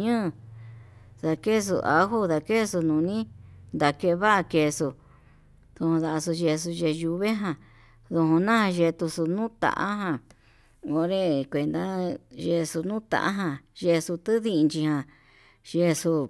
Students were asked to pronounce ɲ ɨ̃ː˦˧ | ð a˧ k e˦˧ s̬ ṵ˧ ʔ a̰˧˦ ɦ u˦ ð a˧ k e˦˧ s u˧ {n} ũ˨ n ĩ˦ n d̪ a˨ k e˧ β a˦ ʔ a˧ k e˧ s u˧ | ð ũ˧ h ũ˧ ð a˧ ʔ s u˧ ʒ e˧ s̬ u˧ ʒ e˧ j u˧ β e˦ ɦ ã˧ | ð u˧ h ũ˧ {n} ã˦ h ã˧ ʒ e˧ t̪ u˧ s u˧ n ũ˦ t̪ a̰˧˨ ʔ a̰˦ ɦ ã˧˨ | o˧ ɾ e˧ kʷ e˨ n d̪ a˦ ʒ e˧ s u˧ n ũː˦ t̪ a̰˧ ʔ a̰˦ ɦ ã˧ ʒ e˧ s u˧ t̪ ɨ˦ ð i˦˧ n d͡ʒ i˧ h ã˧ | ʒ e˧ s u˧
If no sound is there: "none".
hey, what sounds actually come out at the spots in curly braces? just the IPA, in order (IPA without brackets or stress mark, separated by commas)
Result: n, n